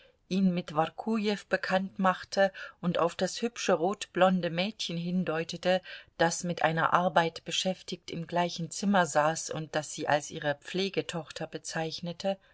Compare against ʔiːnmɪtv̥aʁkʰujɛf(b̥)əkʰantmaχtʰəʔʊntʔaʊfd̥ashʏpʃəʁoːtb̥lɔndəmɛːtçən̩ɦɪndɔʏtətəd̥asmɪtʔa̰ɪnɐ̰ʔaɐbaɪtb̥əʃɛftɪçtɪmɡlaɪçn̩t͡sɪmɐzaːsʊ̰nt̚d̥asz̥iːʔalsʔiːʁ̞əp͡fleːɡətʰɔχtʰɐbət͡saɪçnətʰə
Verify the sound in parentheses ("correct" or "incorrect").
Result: correct